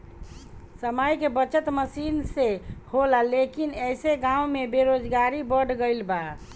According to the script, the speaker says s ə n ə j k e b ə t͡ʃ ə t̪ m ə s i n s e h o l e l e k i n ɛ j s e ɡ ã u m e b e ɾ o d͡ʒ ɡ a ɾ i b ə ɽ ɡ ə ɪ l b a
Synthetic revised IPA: s ə m ə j k e b ə t͡ʃ ə t̪ m ə s i n s e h o l a l e k i n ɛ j s e ɡ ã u m e b e ɾ o d͡ʒ ɡ a ɾ i b ə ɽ ɡ ə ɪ l b a